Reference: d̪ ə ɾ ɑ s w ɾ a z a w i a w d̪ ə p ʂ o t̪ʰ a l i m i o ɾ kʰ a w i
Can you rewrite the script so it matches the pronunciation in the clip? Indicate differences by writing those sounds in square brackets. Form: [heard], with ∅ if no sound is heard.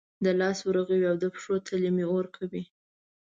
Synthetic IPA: d̪ ə [l] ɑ s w ɾ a [ɣ] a w i a w d̪ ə p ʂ o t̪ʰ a l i m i o ɾ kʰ a w i